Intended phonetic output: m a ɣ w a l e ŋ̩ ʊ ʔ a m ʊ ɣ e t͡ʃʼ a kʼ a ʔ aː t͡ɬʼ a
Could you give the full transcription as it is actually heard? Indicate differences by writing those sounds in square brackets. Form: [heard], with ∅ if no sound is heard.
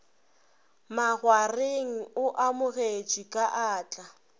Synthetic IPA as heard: m a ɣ w a [r] e ŋ̩ ʊ ʔ a m ʊ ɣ e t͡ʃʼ [i] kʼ a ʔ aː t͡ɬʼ a